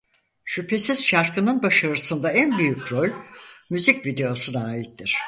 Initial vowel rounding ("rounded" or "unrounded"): rounded